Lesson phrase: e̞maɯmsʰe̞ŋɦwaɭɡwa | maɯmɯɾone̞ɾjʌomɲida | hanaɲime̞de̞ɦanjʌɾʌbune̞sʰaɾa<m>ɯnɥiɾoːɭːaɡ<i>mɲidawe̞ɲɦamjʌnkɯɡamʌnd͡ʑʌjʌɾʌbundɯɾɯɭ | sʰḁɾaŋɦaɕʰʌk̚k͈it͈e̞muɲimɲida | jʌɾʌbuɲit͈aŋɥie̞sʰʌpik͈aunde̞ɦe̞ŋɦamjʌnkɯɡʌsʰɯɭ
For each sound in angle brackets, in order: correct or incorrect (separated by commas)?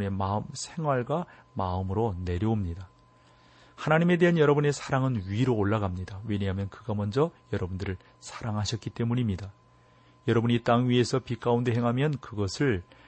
incorrect, incorrect